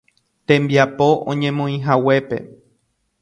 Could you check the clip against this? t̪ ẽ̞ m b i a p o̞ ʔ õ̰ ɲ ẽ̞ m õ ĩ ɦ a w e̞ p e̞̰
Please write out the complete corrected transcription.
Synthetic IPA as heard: t̪ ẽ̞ m b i a p o̞ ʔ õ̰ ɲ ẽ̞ m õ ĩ ɦ a w e̞ p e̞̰